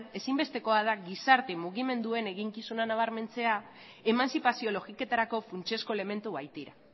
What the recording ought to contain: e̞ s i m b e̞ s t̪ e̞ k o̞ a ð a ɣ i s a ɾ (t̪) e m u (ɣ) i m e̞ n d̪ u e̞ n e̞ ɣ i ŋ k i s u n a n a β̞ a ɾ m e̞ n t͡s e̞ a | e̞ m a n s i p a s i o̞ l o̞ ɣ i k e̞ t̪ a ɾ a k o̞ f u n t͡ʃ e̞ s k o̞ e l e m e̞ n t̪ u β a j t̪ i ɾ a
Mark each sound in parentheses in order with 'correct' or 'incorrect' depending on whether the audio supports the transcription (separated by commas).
correct, correct